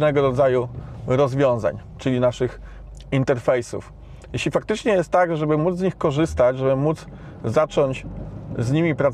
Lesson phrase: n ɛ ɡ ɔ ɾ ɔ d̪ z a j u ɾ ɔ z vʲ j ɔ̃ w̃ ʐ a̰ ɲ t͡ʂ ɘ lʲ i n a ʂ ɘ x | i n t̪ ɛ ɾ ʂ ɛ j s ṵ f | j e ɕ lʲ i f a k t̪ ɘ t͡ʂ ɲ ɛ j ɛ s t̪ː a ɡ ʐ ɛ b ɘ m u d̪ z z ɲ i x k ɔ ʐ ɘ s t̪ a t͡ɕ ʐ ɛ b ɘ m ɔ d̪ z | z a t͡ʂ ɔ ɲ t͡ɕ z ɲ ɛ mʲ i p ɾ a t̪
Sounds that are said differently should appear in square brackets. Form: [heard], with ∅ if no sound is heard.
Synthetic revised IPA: n ɛ ɡ ɔ ɾ ɔ d̪ z a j u ɾ ɔ z vʲ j ɔ̃ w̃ [z] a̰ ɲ t͡ʂ ɘ lʲ i n a ʂ ɘ x | i n t̪ ɛ ɾ [f] ɛ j s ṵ f | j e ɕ lʲ i f a k t̪ ɘ t͡ʂ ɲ ɛ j ɛ s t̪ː a ɡ ʐ ɛ b ɘ m u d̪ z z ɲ i x k ɔ ʐ ɘ s t̪ a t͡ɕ ʐ ɛ b ɘ m [u] d̪ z | z a t͡ʂ ɔ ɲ t͡ɕ z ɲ [i] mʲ i p ɾ a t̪